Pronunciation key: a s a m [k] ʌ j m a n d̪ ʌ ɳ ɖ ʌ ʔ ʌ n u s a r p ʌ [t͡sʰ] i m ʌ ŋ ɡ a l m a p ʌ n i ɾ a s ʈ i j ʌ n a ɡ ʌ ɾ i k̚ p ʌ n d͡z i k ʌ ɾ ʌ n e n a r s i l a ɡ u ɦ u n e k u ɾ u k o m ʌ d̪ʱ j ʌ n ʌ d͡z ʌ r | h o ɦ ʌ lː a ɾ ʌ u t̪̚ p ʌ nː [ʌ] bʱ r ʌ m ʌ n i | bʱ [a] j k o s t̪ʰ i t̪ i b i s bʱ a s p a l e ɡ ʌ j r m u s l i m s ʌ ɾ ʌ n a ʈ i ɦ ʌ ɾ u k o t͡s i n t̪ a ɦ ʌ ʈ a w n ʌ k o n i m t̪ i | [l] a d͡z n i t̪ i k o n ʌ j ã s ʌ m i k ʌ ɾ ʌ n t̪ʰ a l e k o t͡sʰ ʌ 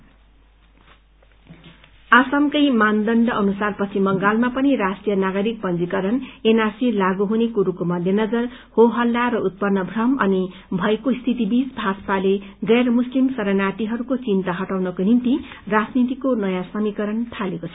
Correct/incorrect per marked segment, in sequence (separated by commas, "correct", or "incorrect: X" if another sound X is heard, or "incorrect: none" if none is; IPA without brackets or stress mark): correct, correct, correct, incorrect: ʌ, incorrect: r